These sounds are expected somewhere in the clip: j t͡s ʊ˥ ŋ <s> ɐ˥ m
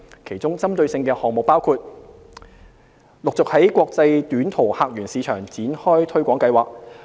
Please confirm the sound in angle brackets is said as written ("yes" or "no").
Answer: no